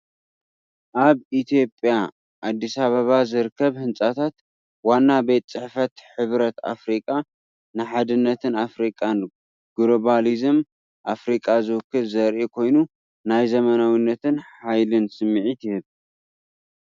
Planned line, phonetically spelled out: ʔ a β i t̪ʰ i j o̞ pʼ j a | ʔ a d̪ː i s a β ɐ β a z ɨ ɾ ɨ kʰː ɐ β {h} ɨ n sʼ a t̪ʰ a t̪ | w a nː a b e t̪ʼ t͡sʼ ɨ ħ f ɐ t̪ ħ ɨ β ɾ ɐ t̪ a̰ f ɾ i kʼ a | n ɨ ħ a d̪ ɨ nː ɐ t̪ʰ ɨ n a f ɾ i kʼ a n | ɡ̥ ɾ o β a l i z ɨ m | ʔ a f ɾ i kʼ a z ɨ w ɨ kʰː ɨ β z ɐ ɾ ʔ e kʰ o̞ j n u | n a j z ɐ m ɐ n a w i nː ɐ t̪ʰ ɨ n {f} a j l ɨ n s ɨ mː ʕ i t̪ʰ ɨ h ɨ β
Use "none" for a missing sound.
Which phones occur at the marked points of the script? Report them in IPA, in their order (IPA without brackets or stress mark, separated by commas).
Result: h, ħ